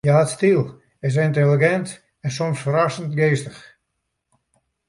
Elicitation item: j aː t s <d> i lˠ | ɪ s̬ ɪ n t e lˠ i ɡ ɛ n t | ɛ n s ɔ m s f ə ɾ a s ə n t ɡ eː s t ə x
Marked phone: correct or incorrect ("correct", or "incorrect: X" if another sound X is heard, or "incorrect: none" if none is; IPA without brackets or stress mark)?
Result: incorrect: t